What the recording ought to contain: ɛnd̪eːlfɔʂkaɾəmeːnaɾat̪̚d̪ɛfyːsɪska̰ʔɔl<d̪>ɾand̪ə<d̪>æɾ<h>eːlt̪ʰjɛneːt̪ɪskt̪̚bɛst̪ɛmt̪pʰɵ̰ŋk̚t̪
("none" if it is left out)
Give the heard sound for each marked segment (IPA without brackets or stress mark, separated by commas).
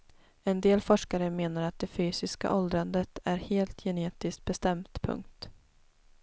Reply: d̪, t̪, h